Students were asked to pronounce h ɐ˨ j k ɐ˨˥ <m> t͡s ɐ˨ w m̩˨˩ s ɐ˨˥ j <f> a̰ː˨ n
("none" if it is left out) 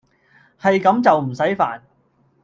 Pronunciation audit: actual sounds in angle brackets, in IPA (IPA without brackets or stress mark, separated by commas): m, f